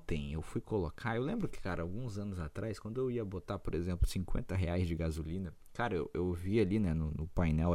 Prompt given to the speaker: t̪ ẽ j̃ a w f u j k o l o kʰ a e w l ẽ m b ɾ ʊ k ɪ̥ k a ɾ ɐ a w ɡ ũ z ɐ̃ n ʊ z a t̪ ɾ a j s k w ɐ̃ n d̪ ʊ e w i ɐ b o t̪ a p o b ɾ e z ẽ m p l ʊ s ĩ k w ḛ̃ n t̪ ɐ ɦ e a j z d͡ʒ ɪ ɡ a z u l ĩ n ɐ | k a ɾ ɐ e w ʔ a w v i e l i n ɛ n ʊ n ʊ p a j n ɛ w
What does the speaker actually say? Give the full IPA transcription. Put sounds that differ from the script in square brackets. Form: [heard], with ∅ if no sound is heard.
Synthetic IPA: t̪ ẽ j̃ [e] w f u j k o l o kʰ a e w l ẽ m b ɾ ʊ k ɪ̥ k a ɾ ɐ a w ɡ ũ z ɐ̃ n ʊ z a t̪ ɾ a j s k w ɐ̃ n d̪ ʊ e w i ɐ b o t̪ a p o [∅] ɾ e z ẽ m p l ʊ s ĩ k w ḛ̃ n t̪ ɐ ɦ e a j z d͡ʒ ɪ ɡ a z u l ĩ n ɐ | k a ɾ ɐ e w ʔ [e] w v i [a] l i n ɛ n ʊ n ʊ p a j n ɛ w